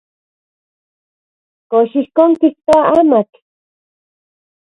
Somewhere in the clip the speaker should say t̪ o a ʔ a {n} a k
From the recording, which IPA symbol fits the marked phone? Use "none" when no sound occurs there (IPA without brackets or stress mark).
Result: m